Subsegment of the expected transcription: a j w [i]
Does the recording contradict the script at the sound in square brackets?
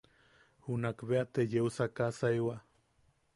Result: yes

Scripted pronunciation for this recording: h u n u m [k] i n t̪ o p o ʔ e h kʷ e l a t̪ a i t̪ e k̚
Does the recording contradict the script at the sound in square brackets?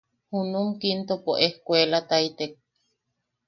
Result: no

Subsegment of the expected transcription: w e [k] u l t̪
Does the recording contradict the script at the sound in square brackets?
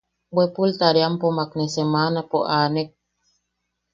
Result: yes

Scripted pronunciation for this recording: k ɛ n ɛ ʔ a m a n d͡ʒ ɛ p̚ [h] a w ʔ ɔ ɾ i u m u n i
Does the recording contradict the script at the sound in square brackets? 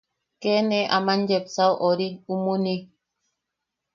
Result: yes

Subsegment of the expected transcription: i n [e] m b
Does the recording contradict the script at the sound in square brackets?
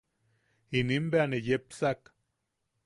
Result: yes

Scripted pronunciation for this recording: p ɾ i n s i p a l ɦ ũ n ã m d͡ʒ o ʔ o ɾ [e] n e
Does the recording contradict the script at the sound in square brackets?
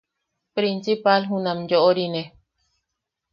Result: yes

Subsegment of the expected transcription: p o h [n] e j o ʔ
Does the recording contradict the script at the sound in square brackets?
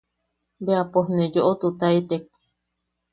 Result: no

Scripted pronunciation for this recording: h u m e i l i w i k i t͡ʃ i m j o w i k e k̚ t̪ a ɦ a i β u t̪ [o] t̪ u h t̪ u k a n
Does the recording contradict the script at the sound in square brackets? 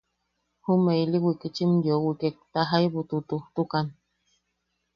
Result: yes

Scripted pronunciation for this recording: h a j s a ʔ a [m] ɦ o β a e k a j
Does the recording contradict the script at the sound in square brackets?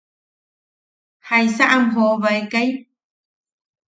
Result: no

